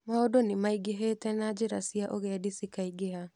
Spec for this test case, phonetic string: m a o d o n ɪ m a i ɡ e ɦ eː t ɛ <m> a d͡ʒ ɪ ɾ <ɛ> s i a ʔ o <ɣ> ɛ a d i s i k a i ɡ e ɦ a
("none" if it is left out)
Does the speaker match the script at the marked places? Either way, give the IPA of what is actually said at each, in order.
n, a, ɣ

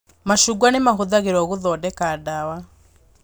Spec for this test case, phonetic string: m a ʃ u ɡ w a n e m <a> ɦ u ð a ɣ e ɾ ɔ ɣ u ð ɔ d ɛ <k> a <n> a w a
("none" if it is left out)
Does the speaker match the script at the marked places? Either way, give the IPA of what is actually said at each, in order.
a, k, d

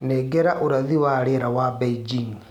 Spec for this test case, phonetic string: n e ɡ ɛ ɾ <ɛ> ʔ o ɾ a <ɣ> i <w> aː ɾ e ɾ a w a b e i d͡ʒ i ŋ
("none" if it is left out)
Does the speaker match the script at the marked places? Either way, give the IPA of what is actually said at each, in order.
a, ð, w

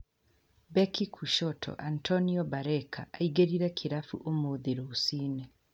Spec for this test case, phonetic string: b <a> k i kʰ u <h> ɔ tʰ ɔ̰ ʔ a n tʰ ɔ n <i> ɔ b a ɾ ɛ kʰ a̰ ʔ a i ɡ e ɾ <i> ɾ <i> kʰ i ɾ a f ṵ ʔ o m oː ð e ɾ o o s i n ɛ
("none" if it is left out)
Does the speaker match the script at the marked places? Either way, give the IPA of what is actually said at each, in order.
ɛ, ʃ, i, i, ɛ

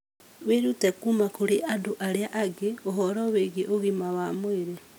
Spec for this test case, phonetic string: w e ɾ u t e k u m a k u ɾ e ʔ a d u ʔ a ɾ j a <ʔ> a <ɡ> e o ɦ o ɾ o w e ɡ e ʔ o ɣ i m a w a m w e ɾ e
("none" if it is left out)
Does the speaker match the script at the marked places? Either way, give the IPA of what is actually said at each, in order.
ʔ, ɡ

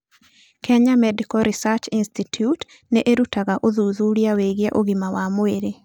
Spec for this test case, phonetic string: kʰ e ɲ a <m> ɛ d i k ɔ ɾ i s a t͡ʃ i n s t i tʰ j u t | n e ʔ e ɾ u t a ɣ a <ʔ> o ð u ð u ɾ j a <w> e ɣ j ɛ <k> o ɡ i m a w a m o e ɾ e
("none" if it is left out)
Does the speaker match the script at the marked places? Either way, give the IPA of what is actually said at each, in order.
m, ʔ, w, ʔ

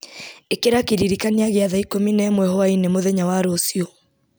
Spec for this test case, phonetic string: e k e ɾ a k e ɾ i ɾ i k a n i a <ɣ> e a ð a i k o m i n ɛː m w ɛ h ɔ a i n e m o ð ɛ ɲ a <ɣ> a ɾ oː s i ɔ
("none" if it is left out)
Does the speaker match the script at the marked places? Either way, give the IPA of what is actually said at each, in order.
ɣ, w

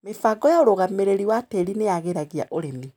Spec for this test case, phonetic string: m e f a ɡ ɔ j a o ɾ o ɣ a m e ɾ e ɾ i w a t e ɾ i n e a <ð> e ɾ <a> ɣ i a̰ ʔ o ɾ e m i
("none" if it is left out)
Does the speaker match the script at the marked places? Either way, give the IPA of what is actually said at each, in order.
ɣ, a

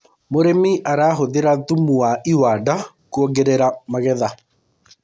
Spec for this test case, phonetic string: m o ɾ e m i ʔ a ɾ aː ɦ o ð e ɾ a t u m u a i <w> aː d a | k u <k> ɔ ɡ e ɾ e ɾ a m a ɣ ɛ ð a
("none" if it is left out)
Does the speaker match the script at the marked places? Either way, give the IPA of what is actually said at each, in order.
w, none

